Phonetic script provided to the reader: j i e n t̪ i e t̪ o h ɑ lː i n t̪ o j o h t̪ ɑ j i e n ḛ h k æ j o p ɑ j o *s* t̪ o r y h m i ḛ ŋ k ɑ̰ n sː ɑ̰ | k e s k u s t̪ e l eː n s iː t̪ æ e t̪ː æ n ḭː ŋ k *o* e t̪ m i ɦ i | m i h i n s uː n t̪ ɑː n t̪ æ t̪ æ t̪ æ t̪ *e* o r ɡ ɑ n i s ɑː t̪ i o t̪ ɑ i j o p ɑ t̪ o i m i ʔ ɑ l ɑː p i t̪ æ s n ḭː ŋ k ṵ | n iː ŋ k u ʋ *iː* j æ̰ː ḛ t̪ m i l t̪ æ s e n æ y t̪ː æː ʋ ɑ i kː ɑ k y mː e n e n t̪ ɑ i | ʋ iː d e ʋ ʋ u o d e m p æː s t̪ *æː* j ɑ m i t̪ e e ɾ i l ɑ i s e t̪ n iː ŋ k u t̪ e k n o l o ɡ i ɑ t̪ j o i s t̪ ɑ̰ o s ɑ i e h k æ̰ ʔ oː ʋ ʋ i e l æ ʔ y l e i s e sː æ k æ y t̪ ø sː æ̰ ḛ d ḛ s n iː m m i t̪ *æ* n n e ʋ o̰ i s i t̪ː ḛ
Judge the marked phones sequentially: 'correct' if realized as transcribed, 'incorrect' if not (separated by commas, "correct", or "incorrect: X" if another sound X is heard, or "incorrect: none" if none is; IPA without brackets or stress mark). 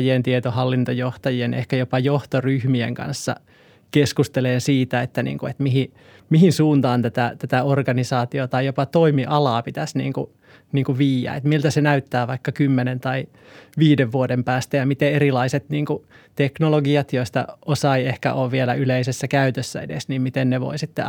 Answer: incorrect: h, incorrect: u, incorrect: æ, correct, incorrect: æ, incorrect: e